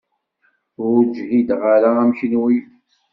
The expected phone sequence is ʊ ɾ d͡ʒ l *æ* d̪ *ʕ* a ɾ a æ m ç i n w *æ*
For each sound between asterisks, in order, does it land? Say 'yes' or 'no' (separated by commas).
no, no, no